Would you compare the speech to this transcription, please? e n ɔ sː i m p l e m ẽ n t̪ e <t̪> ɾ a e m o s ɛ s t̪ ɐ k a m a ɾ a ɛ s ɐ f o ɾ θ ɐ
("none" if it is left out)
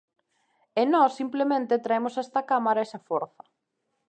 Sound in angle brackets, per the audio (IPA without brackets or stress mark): t̪